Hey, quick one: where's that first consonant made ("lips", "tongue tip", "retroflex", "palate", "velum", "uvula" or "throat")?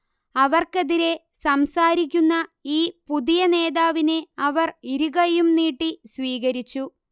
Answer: lips